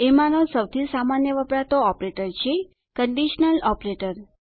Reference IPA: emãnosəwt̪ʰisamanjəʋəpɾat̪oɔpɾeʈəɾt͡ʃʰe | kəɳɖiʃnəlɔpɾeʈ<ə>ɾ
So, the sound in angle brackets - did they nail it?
yes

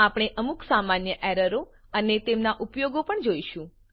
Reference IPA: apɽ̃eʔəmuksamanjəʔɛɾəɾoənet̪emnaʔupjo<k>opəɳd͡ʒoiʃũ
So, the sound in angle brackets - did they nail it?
no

